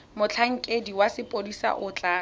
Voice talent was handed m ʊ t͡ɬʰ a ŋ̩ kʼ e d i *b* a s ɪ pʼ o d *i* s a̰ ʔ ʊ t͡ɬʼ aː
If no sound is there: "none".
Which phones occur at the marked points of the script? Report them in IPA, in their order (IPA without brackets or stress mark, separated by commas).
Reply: w, i